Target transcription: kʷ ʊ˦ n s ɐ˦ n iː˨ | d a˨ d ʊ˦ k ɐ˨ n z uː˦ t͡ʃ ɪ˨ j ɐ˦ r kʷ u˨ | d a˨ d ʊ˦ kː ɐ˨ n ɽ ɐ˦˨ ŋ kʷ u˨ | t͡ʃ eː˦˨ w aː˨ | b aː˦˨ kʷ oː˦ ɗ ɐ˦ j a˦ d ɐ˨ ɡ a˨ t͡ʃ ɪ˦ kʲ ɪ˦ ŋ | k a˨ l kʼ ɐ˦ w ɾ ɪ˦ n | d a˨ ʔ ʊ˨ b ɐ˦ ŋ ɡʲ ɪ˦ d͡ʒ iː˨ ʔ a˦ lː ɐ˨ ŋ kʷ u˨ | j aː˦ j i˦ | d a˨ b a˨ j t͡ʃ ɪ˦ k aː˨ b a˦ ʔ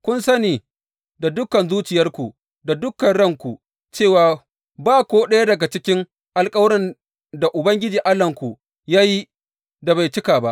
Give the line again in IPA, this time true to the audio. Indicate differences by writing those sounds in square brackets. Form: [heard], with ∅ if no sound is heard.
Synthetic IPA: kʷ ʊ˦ n s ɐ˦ n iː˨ | d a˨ d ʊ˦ k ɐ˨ n z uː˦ t͡ʃ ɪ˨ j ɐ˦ r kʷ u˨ | d a˨ d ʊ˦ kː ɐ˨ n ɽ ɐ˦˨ ŋ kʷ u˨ | t͡ʃ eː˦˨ w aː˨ | b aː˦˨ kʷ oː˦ ɗ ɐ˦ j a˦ d ɐ˨ ɡ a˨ t͡ʃ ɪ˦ kʲ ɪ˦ ŋ | [ʔ] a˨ l kʼ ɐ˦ w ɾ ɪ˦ n | d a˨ ʔ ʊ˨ b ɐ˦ ŋ ɡʲ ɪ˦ d͡ʒ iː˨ ʔ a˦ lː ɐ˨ ŋ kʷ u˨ | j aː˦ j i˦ | d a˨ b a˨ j t͡ʃ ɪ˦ k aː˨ b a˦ ʔ